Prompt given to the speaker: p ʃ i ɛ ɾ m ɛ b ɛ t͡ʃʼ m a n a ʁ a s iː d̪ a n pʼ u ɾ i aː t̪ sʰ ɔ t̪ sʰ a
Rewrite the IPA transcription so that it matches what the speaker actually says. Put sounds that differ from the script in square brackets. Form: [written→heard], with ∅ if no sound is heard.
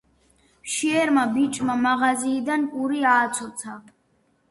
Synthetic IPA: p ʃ i ɛ ɾ m [ɛ→a] b [ɛ→i] t͡ʃʼ m a [n→m] a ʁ a [s→z] iː d̪ a n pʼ u ɾ i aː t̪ sʰ ɔ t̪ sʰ a